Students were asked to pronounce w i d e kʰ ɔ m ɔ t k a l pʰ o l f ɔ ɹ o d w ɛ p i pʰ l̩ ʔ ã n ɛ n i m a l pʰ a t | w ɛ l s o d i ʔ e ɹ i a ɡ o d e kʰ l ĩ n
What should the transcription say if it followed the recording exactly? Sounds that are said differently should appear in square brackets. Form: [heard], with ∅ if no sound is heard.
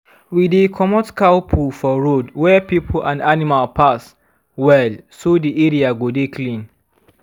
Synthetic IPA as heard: w i d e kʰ ɔ m ɔ t k a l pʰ [u] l f ɔ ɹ o d w ɛ p i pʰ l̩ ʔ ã n [a] n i m a l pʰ a [s] | w ɛ l s o d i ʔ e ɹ i a ɡ o d e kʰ l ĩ n